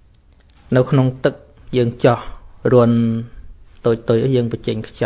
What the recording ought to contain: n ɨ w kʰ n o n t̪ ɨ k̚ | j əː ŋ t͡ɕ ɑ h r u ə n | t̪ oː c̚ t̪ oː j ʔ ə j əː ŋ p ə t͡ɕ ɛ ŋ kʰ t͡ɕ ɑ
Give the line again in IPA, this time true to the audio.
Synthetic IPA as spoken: n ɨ w kʰ n o ŋ t̪ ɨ k̚ | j əː ŋ t͡ɕ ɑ h r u ə n | t̪ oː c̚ t̪ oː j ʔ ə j əː ŋ p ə t͡ɕ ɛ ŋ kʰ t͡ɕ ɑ